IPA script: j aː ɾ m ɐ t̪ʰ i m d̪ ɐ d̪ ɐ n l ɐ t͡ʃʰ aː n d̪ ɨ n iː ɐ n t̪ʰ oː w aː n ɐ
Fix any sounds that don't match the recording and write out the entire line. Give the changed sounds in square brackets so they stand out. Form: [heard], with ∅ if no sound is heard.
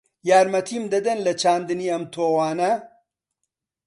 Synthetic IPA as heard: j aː ɾ m ɐ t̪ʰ i m d̪ ɐ d̪ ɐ n l ɐ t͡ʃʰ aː n d̪ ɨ n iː ɐ [m] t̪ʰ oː w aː n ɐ